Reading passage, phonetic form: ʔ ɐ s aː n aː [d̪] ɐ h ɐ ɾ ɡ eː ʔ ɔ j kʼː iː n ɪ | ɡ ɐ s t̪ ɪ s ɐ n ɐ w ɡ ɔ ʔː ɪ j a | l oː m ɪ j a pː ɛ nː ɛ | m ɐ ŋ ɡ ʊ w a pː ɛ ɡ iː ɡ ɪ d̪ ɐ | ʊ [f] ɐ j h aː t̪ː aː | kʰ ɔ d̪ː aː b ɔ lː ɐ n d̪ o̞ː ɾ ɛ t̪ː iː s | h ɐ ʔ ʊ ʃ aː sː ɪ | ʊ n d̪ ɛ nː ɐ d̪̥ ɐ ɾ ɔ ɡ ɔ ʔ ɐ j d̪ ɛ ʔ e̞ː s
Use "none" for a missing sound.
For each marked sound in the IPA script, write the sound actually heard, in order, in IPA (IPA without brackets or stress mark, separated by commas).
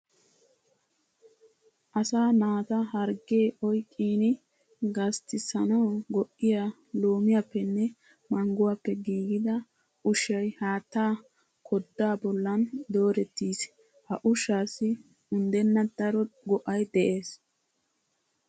t̪, ʃ